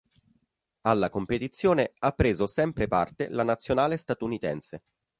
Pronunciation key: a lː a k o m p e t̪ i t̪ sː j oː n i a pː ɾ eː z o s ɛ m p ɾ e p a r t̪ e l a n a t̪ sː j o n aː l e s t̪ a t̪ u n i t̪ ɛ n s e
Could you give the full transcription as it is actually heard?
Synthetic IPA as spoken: a lː a k o m p e t̪ i t̪ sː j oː n e a pː ɾ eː z o s ɛ m p ɾ e p a r t̪ e l a n a t̪ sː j o n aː l e s t̪ a t̪ u n i t̪ ɛ n s e

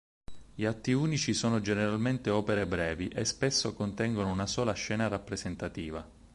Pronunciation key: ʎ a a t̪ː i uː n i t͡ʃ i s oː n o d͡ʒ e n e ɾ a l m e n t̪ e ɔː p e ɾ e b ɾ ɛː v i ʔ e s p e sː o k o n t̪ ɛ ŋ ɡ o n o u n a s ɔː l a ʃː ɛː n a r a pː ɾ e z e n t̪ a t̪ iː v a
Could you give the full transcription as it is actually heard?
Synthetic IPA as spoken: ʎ i a t̪ː i uː n i t͡ʃ i s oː n o d͡ʒ e n e ɾ a l m e n t̪ e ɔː p e ɾ e b ɾ ɛː v i ʔ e s p e sː o k o n t̪ ɛ ŋ ɡ o n o u n a s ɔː l a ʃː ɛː n a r a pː ɾ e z e n t̪ a t̪ iː v a

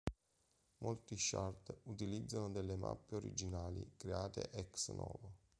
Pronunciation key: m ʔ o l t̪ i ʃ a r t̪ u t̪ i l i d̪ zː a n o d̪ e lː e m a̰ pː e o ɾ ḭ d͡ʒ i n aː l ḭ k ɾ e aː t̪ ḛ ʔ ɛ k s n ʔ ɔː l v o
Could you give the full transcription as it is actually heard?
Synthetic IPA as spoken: m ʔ o l t̪ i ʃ a r t̪ u t̪ i l i d̪ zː a n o d̪ e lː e m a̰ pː e o ɾ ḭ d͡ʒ i n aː l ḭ k ɾ e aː t̪ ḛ ʔ ɛ k s n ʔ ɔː v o

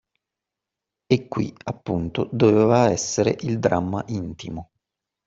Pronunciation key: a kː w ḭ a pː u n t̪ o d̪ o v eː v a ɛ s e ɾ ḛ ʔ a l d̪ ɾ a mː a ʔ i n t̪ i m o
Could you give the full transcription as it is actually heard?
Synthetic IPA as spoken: e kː w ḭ a pː u n t̪ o d̪ o v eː v a ɛ sː e ɾ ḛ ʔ i l d̪ ɾ a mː a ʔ i n t̪ i m o

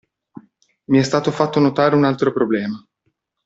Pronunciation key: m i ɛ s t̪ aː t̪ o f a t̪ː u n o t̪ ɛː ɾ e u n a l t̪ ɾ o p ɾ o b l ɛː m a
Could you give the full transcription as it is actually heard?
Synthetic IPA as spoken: m i ɛ s t̪ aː t̪ o f a t̪ː o n o t̪ aː ɾ e u n a l t̪ ɾ o p ɾ o b l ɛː m a

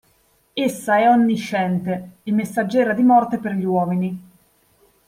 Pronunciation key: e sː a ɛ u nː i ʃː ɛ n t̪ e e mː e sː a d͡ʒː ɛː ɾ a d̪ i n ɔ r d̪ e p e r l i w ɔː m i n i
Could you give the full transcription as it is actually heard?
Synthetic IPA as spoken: e sː a ɛ ɔ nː i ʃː ɛ n t̪ e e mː e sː a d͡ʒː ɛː ɾ a d̪ i m ɔ r t̪ e p e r ʎ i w ɔː m i n i

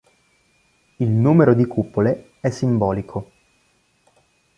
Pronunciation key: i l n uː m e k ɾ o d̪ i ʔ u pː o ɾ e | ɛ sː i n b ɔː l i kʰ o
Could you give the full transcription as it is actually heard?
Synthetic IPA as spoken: i l n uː m e ɾ o d̪ i k u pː o l e | ɛ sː i m b ɔː l i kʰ o

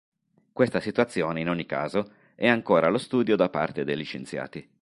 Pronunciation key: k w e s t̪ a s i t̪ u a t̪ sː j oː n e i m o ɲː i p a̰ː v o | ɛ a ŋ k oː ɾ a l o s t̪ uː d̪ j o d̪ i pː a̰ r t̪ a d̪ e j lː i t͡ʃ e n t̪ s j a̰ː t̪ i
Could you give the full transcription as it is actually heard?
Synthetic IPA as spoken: k w e s t̪ a s i t̪ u a t̪ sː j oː n e i n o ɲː i k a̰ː z o | ɛ a ŋ k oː ɾ a l o s t̪ uː d̪ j o d̪ a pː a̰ r t̪ e d̪ e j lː i t͡ʃ e n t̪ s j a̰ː t̪ i

